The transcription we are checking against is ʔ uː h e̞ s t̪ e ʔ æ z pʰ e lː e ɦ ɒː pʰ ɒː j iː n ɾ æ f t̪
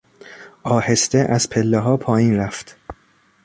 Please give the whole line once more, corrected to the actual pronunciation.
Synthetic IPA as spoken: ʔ ɒː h e̞ s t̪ e ʔ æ z pʰ e lː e ɦ ɒː pʰ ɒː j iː n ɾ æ f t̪